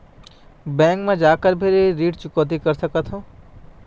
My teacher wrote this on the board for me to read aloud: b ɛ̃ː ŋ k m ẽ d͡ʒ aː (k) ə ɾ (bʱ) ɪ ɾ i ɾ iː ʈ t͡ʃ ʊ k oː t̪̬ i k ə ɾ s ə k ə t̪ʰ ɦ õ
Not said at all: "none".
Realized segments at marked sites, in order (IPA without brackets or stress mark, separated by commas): k, bʱ